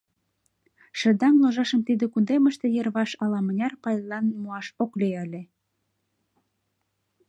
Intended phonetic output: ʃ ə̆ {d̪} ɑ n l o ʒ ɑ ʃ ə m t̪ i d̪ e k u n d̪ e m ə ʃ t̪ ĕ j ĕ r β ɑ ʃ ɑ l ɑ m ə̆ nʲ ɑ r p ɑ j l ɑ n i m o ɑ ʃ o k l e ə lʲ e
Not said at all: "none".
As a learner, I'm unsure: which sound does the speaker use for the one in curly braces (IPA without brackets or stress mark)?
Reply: d̪